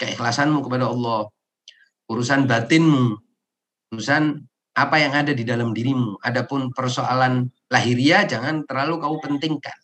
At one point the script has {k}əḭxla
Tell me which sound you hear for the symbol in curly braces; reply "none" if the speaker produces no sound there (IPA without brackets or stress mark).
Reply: k